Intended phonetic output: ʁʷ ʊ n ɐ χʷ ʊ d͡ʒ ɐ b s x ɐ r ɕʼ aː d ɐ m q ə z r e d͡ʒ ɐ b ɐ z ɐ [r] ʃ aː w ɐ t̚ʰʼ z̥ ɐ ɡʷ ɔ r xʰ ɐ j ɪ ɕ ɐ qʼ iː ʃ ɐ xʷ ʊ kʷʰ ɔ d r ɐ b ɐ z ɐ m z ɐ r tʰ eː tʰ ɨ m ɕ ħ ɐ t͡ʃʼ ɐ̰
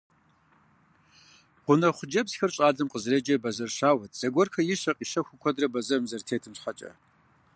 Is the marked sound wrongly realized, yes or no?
no